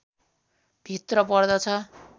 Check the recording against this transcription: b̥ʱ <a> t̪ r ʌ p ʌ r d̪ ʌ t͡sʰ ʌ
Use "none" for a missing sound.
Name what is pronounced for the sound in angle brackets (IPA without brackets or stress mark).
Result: i